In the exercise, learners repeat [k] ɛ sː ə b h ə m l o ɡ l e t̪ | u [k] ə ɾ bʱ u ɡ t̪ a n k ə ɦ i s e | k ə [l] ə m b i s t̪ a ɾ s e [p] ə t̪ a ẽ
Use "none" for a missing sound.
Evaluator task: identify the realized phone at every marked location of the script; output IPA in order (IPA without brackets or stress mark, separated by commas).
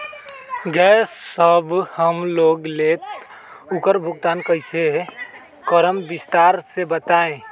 ɡ, k, ɾ, b